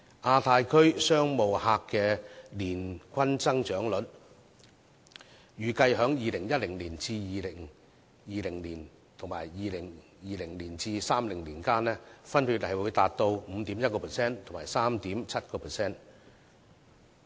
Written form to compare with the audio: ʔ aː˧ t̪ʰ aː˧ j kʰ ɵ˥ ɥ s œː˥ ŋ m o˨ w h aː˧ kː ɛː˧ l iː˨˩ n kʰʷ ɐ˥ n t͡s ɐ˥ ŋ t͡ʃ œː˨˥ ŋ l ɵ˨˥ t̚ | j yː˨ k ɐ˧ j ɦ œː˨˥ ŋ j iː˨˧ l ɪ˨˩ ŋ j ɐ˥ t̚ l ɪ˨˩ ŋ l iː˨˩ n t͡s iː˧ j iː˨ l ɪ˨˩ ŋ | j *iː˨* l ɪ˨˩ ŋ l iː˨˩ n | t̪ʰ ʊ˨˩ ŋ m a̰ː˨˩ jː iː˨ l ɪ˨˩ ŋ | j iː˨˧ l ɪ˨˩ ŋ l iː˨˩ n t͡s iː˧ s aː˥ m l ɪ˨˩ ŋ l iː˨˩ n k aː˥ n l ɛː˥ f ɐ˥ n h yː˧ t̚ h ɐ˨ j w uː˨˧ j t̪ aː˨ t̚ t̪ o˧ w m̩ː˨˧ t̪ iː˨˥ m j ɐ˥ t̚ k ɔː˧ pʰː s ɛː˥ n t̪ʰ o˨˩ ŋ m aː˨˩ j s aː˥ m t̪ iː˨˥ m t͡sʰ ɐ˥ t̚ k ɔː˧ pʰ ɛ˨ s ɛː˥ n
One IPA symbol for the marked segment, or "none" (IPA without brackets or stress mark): iː˨